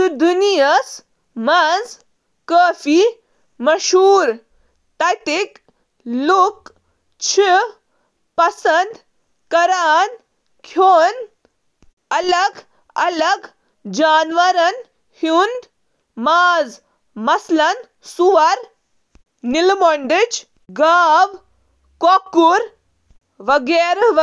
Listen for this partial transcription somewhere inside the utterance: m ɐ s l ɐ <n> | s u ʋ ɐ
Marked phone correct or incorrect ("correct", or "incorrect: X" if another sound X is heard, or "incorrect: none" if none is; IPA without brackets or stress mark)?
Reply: correct